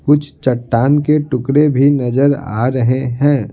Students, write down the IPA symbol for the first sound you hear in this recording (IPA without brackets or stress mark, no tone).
k